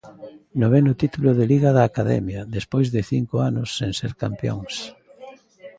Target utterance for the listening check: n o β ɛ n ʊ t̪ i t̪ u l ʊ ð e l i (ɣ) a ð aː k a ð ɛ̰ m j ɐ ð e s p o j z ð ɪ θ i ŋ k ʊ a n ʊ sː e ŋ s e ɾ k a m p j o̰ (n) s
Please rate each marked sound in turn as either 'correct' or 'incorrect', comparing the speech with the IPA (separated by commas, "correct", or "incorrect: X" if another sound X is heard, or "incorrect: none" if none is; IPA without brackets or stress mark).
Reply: correct, incorrect: ŋ